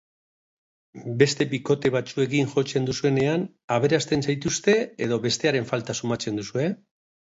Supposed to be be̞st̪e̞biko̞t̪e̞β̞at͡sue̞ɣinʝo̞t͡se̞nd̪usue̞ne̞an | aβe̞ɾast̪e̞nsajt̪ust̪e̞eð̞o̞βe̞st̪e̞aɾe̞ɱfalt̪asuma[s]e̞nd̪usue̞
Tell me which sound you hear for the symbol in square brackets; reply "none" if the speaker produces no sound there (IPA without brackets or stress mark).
t͡s